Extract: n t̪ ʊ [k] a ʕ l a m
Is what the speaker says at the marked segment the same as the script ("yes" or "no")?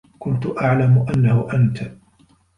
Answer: no